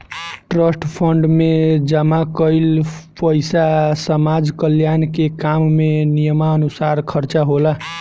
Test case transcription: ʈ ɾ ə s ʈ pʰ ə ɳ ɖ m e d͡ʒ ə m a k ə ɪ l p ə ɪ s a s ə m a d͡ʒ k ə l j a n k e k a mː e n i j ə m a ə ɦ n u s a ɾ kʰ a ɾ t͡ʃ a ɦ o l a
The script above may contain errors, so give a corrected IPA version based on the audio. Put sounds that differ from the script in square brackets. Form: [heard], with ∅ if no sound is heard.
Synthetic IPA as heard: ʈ ɾ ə s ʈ pʰ ə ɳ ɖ m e d͡ʒ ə m a k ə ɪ l p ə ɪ s a s ə m a d͡ʒ k ə l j a n k e k a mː e n i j ə m a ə [∅] n u s a ɾ kʰ [ə] ɾ t͡ʃ a ɦ o l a